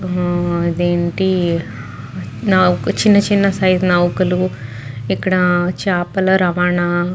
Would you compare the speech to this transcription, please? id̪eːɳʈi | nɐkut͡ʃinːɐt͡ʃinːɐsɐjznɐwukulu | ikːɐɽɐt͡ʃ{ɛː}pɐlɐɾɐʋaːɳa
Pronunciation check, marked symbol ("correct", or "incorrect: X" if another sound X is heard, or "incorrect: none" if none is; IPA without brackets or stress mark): incorrect: aː